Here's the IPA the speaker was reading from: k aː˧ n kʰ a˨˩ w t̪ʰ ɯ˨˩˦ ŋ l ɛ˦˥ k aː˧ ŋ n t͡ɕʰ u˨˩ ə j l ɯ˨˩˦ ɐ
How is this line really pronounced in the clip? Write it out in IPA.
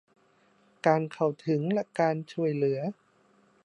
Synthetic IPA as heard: k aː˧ n kʰ a˨˩ w t̪ʰ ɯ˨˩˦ ŋ l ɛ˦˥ k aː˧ n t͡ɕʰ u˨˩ ə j l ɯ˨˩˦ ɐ